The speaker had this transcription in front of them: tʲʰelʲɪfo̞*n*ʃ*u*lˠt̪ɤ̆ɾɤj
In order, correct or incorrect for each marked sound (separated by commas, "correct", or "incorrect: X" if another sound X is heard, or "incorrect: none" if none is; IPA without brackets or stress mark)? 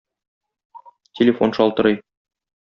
correct, incorrect: ɒ